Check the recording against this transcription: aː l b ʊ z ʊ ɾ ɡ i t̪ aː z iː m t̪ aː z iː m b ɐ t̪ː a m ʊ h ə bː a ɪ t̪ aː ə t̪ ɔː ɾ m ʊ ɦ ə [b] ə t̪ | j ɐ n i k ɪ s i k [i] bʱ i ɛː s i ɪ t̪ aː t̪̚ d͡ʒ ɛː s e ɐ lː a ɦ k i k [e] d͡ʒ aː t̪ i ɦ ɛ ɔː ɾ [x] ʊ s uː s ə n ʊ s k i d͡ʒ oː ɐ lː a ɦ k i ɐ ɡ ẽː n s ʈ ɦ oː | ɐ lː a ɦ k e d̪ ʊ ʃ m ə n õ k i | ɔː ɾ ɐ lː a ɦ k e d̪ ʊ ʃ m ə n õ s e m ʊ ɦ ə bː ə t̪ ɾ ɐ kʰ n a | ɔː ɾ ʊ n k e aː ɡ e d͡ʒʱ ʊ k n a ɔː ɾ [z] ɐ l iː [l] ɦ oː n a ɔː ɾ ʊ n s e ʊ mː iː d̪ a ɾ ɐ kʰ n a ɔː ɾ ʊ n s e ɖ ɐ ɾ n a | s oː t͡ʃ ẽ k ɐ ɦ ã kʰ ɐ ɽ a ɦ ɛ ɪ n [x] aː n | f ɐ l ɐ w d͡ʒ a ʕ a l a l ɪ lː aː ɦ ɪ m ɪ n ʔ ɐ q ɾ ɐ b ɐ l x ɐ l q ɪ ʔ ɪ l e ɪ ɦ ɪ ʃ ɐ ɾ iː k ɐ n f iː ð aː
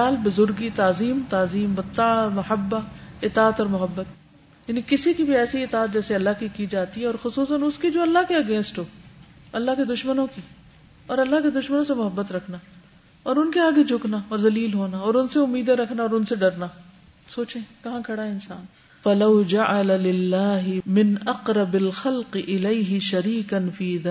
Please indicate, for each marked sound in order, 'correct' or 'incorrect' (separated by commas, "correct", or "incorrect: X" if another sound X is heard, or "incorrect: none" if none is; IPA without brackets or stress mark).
incorrect: bː, correct, incorrect: i, correct, correct, correct, incorrect: s